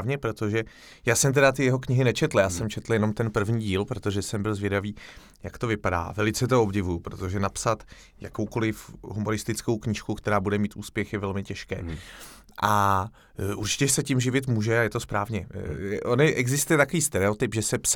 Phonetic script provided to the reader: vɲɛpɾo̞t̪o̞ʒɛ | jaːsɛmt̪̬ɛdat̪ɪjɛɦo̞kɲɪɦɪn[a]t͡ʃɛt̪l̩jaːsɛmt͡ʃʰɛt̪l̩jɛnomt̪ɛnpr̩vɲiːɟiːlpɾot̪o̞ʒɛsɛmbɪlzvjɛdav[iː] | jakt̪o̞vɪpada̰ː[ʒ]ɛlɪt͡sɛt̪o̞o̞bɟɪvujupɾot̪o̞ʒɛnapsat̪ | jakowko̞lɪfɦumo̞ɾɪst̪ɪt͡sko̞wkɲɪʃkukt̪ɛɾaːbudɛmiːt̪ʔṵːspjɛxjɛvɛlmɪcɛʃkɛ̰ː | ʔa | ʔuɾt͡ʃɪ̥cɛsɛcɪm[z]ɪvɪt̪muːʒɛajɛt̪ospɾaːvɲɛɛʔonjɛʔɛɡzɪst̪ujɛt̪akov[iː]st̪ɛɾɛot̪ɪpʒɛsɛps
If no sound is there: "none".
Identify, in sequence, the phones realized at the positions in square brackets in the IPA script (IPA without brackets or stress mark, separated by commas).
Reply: ɛ, iː, v, ʒ, iː